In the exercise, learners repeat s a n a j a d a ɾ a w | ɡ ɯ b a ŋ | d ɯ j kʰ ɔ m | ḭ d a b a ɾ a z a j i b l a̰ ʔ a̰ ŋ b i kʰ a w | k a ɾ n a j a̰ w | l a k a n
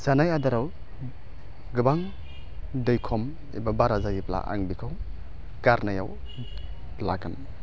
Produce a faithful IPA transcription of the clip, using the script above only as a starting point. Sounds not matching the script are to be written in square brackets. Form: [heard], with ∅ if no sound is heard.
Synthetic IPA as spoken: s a n a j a d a ɾ a w | ɡ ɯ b a ŋ | d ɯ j kʰ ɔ m | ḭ [b] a b a ɾ a z a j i [p] l a̰ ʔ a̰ ŋ b i kʰ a w | k a ɾ n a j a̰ w | l a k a n